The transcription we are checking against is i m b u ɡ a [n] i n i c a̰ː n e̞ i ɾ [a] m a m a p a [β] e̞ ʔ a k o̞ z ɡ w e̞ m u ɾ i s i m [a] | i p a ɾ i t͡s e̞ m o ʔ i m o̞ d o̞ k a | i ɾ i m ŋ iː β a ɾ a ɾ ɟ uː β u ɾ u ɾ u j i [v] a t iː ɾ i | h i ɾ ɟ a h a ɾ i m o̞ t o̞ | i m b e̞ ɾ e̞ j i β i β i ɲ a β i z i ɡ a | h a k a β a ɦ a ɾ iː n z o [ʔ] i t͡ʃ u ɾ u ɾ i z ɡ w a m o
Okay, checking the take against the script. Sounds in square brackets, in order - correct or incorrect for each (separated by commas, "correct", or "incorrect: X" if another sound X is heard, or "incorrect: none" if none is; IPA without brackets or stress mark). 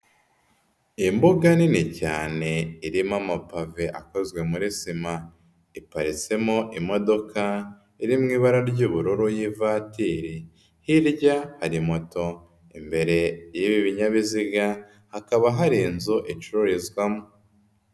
correct, incorrect: i, incorrect: v, correct, correct, correct